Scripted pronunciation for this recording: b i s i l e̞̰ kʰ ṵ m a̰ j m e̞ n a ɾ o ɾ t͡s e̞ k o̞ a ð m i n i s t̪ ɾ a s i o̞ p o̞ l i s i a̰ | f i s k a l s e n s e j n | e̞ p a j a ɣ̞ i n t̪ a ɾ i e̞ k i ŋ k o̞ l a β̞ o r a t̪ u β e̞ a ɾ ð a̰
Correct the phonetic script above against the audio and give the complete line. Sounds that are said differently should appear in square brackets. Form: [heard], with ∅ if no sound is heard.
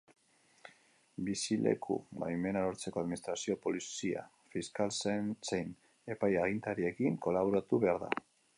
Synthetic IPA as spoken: b i s i l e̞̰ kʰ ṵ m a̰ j m e̞ n a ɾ o ɾ t͡s e̞ k o̞ a ð m i n i s t̪ ɾ a s i o̞ p o̞ l i s i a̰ | f i s k a l s e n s e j n | e̞ p a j a ɣ̞ i n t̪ a ɾ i e̞ k i ŋ k o̞ l a β̞ o [ɾ] a t̪ u β e̞ a ɾ ð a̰